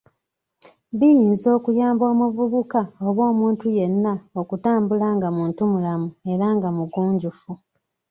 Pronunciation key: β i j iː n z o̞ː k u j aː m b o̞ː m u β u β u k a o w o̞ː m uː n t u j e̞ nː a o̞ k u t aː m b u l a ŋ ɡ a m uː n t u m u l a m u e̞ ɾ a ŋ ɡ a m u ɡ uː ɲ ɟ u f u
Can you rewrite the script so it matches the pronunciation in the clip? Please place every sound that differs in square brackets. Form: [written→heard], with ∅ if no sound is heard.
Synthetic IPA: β i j iː n z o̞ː k u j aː m b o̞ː m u [β→v] u β u k a o [w→β] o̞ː m uː n t u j e̞ nː a o̞ k u t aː m b u l a ŋ ɡ a m uː n t u m u l a m u e̞ ɾ a ŋ ɡ a m u ɡ uː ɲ ɟ u f u